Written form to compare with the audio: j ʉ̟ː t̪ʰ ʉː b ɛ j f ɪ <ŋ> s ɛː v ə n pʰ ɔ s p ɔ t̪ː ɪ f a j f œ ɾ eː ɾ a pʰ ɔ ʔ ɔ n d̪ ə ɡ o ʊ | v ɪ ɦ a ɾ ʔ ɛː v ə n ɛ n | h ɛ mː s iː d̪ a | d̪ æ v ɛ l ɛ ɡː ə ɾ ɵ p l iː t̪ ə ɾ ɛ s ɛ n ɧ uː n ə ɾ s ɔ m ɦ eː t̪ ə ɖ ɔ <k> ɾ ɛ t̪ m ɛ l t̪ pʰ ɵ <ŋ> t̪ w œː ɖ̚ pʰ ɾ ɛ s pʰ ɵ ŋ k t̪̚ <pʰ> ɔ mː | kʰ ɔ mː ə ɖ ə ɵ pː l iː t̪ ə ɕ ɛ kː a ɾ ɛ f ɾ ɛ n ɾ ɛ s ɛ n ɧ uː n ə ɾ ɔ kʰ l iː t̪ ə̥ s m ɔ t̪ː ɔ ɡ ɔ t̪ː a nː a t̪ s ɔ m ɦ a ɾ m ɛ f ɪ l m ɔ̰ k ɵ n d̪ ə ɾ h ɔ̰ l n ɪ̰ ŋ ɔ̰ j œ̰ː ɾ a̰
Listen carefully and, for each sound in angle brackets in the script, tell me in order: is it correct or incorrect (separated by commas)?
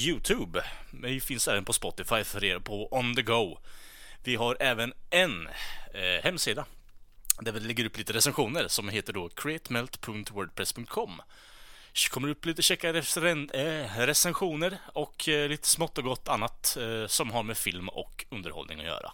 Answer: incorrect, incorrect, correct, incorrect